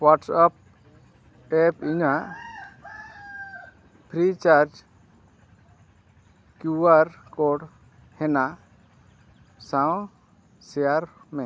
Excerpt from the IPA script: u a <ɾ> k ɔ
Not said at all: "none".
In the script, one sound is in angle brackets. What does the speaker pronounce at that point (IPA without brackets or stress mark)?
ɾ